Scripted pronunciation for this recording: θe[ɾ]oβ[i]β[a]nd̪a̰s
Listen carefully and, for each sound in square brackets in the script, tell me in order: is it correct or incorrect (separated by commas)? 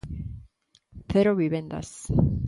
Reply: correct, correct, incorrect